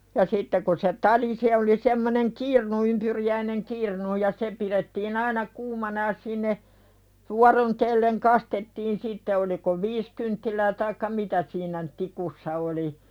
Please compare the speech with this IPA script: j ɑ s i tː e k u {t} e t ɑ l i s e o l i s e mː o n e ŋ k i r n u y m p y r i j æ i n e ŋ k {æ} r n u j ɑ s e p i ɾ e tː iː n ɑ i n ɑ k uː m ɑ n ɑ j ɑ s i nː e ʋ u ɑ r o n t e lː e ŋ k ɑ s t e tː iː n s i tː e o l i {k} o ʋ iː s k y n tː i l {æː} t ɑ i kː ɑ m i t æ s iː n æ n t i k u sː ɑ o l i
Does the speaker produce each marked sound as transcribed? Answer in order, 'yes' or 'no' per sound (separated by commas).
no, no, yes, yes